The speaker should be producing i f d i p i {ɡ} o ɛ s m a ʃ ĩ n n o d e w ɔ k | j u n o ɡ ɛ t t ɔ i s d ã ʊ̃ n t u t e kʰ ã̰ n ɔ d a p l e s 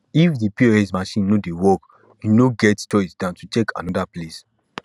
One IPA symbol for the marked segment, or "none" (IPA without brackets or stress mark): none